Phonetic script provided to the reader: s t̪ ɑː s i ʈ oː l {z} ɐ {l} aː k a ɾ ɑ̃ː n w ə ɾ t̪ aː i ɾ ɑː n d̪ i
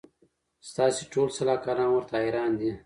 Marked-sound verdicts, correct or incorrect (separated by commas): incorrect, correct